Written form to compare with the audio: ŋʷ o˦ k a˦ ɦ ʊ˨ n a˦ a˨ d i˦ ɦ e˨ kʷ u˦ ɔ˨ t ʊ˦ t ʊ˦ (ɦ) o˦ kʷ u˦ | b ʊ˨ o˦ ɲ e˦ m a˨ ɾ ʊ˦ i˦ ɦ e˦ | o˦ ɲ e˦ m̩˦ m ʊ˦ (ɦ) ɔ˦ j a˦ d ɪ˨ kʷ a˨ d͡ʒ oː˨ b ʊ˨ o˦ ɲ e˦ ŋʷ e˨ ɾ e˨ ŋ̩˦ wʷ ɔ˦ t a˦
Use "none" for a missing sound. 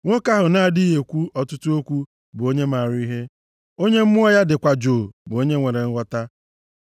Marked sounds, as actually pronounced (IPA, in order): none, none

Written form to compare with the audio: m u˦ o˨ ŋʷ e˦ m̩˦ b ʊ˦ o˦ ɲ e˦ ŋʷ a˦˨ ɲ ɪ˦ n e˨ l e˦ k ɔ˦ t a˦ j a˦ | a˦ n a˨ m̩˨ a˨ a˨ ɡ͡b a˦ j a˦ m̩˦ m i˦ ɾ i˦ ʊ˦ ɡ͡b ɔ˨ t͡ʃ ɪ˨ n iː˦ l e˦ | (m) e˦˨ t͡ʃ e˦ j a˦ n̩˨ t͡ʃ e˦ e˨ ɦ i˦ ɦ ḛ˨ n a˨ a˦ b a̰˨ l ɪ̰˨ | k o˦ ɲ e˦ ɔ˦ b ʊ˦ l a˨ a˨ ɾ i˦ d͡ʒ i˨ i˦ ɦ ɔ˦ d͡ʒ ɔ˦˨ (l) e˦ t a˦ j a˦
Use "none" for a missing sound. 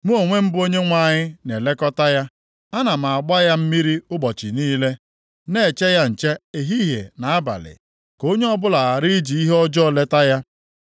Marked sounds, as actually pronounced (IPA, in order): n, l

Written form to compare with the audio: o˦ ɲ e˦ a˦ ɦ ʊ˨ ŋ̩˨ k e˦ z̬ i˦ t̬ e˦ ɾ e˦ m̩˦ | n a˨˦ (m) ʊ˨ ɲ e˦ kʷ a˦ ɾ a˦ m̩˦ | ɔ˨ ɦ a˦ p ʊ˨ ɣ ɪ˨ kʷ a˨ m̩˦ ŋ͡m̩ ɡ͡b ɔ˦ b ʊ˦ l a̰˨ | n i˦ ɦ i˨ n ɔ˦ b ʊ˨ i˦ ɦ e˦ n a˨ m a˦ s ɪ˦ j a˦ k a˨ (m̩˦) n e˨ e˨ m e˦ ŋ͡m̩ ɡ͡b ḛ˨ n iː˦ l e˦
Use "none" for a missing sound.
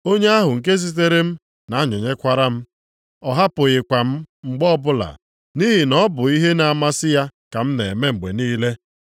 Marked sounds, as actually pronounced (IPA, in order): ɲ, m̩˦

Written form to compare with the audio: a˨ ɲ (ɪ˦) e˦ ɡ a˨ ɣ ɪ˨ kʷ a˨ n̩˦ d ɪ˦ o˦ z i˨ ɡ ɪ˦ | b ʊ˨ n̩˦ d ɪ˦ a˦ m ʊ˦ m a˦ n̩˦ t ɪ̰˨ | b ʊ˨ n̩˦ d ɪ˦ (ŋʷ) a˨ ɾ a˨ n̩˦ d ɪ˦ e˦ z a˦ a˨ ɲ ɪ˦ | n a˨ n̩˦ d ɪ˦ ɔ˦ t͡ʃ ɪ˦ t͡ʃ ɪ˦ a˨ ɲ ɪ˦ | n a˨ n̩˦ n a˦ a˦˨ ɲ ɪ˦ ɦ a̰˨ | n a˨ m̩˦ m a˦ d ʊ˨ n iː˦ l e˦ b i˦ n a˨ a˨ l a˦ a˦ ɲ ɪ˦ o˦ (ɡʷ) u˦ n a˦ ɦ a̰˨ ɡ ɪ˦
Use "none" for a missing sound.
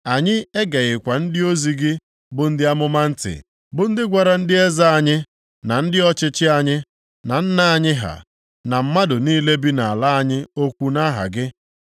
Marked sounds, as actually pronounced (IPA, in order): ɪ˦, ɡʷ, kʷ

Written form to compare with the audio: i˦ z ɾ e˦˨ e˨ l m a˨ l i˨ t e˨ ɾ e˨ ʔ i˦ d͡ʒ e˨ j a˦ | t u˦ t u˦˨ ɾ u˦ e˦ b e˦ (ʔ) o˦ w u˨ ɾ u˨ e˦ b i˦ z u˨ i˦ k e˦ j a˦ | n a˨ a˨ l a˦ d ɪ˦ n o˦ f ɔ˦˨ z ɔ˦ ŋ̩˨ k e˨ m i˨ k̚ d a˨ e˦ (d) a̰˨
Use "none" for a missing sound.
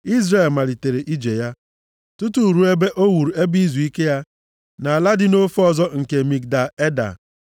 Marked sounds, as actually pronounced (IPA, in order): ʔ, d

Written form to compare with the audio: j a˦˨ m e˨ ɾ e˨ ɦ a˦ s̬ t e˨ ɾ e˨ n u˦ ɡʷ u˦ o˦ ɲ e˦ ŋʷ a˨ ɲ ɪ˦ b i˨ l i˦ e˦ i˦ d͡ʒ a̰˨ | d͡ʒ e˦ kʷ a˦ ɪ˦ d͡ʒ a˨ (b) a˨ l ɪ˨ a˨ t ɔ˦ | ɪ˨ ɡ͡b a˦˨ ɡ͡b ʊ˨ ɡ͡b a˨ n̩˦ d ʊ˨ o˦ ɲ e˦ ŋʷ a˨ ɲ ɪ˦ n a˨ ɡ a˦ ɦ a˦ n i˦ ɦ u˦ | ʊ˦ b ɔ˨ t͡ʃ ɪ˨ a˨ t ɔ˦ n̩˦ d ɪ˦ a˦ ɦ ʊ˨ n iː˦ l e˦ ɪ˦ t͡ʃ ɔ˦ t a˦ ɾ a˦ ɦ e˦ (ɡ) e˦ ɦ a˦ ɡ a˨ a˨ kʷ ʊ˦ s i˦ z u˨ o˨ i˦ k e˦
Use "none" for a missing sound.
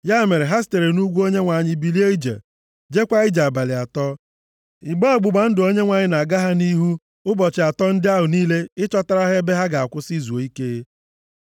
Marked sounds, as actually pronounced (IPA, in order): b, b

